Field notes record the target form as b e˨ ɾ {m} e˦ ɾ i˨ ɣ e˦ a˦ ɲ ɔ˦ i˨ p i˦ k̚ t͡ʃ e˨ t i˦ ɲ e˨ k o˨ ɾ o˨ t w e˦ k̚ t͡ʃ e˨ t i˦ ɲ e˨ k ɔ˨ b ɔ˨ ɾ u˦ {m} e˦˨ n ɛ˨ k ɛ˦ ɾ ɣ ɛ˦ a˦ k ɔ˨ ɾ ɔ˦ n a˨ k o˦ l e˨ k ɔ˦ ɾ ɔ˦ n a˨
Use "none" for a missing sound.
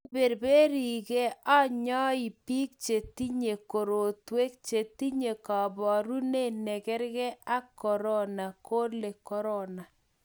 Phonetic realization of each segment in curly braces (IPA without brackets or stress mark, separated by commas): b, n